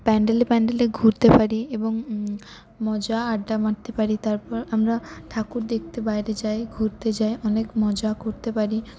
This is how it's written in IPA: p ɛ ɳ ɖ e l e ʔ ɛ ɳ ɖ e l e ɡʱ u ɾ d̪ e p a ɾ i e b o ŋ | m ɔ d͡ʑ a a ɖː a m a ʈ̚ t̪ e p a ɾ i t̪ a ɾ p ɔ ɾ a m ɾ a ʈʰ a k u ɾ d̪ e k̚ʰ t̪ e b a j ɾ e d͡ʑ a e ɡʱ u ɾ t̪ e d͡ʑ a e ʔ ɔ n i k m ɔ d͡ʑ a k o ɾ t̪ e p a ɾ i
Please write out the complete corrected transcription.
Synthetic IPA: p ɛ ɳ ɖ e l e p ɛ ɳ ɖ e l e ɡʱ u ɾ t̪ e p a ɾ i e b o ŋ | m ɔ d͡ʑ a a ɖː a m a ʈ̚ t̪ e p a ɾ i t̪ a ɾ p ɔ ɾ a m ɾ a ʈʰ a k u ɾ d̪ e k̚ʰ t̪ e b a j ɾ e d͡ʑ a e ɡʱ u ɾ t̪ e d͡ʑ a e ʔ ɔ n e k m ɔ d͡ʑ a k o ɾ t̪ e p a ɾ i